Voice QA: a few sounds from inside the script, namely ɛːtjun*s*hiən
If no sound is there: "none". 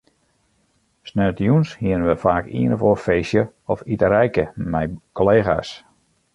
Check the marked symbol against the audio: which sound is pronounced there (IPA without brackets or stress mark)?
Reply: s